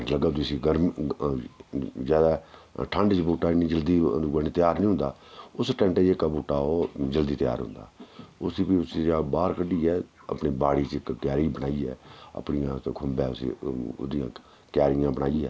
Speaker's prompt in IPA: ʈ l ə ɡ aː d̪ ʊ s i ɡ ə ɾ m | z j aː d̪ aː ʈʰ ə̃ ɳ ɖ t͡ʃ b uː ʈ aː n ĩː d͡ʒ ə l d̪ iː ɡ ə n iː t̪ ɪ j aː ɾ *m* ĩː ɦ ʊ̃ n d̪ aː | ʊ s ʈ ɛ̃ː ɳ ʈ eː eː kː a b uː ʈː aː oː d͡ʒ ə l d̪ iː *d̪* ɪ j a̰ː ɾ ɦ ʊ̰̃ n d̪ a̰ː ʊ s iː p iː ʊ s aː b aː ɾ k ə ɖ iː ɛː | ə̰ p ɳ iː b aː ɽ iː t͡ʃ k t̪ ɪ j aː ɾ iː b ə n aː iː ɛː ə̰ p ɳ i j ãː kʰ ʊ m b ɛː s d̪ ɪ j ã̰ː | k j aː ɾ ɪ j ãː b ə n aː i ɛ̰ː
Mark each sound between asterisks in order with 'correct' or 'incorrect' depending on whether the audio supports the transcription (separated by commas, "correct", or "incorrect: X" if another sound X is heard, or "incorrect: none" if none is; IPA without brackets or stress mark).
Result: incorrect: n, incorrect: t̪